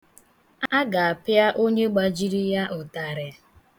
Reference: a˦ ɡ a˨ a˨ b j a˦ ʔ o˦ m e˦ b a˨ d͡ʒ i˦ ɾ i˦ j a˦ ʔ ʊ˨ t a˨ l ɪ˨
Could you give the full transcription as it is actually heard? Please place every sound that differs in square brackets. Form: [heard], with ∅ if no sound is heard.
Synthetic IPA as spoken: a˦ ɡ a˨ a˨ [p] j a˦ ʔ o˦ [ɲ] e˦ [ɡ͡b] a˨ d͡ʒ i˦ ɾ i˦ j a˦ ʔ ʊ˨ t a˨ [ɾ] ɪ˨